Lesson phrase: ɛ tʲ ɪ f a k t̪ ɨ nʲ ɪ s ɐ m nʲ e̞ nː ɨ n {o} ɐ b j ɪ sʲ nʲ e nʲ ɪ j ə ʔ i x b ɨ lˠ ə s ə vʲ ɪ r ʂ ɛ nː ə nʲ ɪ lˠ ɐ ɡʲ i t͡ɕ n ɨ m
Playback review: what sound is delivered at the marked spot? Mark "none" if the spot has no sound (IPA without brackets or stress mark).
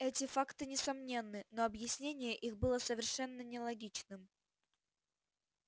o